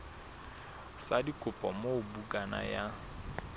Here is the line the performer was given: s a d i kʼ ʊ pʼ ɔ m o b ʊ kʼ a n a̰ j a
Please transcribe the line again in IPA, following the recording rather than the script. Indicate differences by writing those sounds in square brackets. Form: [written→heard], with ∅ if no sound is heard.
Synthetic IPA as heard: s a d i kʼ ʊ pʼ ɔ m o b [ʊ→u] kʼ a n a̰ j a